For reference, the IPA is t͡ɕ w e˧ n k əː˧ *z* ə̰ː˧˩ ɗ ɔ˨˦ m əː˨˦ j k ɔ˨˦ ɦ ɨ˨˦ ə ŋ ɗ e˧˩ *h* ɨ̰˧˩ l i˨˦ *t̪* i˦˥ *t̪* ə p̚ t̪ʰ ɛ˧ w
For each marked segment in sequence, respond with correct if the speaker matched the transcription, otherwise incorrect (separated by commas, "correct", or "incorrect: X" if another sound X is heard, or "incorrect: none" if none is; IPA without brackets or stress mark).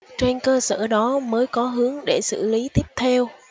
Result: incorrect: s, incorrect: s, correct, incorrect: none